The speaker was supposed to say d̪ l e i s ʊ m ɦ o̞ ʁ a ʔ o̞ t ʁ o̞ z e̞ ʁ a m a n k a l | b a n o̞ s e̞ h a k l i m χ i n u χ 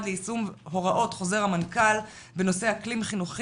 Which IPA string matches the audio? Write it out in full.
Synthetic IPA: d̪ l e i s u m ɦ o̞ ʁ a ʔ o̞ t χ o̞ z e̞ ʁ a m a n k a l | b e n o̞ s e̞ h a k l i m χ i n u χ